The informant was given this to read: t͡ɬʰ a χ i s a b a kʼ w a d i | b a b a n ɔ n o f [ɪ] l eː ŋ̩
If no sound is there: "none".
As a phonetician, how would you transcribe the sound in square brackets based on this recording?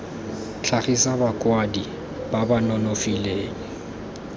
i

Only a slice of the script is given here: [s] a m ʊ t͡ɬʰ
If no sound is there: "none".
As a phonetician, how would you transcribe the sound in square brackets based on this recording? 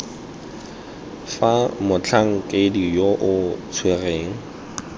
f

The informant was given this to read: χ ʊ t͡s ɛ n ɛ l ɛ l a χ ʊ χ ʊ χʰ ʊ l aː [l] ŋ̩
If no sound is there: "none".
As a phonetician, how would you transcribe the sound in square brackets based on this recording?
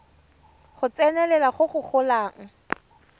none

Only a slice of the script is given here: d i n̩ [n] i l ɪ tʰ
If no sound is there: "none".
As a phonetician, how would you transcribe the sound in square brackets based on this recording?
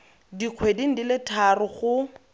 d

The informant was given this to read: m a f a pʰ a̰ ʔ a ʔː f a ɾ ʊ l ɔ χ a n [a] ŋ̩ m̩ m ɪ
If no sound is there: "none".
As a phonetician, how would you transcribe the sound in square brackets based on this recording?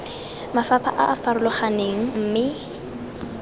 e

